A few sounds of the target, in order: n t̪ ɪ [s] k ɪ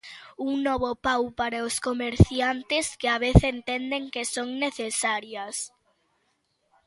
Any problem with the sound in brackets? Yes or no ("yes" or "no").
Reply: no